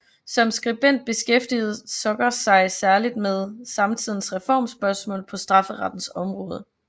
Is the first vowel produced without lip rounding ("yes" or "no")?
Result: no